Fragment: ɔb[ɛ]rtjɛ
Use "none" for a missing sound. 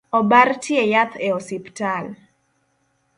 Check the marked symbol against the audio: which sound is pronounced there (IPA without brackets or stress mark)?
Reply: a